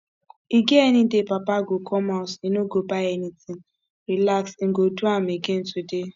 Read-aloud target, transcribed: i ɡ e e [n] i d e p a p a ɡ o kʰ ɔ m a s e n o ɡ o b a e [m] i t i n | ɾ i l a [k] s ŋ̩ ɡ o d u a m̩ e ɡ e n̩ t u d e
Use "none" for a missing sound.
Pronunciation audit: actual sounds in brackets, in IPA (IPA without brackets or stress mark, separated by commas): n, n, k